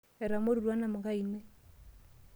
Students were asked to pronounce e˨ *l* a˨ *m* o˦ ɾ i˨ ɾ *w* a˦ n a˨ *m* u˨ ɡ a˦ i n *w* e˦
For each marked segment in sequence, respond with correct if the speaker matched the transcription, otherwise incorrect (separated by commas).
incorrect, correct, correct, correct, correct